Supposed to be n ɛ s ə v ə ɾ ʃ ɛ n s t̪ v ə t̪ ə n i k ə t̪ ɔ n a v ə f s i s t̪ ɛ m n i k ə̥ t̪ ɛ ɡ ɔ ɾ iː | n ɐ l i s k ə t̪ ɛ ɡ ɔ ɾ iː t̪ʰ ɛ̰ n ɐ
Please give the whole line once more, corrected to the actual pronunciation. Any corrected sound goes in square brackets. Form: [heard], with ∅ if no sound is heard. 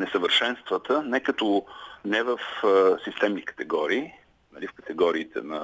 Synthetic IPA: n ɛ s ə v ə ɾ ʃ ɛ n s t̪ v ə t̪ ə n [ɛ] k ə t̪ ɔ n [ɛ] v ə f s i s t̪ ɛ m n i k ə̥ t̪ ɛ ɡ ɔ ɾ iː | n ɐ l i [f] k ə t̪ ɛ ɡ ɔ ɾ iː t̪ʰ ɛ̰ n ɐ